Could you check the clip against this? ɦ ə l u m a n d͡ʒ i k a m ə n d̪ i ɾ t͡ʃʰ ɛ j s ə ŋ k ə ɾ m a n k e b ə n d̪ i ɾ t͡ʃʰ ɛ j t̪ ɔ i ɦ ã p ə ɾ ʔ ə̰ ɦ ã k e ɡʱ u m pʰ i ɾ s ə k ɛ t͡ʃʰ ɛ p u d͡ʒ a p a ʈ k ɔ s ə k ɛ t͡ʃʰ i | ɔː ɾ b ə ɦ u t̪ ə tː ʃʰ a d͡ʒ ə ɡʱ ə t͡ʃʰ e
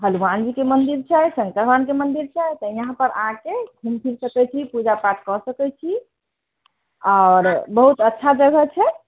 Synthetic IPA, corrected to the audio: ɦ ə l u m a n d͡ʒ i k e m ə n d̪ i ɾ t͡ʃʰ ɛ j s ə ŋ k ə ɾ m a n k e m ə n d̪ i ɾ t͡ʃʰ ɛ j t̪ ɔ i ɦ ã p ə ɾ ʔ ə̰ ɦ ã k e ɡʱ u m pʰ i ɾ s ə k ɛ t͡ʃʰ i p u d͡ʒ a p a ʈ k ɔ s ə k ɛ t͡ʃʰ i | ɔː ɾ b ə ɦ u t̪ ə tː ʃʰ a d͡ʒ ə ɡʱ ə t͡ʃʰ ɛ